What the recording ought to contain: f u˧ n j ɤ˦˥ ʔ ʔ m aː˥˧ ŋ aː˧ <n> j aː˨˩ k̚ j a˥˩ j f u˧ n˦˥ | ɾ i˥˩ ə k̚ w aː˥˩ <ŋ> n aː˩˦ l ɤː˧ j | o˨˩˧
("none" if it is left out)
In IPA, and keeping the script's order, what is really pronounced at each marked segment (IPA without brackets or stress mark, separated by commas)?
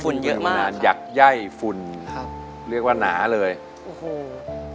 n, none